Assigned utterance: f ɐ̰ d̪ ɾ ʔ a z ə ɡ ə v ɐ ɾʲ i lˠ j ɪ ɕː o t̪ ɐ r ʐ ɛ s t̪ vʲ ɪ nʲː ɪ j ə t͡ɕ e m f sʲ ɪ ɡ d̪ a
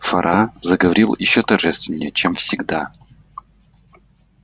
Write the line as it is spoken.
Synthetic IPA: f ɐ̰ ɾ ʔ a z ə ɡ ə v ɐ ɾʲ i lˠ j ɪ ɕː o t̪ ɐ r ʐ ɛ s t̪ vʲ ɪ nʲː ɪ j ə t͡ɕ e m f sʲ ɪ ɡ d̪ a